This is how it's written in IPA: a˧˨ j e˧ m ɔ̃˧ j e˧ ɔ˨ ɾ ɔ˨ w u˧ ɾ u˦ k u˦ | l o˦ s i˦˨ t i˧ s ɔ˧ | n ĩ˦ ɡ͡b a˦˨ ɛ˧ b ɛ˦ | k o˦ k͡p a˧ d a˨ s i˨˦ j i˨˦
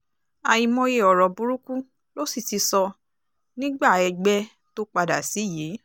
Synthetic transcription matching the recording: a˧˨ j i˧ m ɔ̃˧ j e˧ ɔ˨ ɾ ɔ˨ b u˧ ɾ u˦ k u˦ | l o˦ s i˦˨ t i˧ s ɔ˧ | n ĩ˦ ɡ͡b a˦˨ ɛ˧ ɡ͡b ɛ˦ | t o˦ k͡p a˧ d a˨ s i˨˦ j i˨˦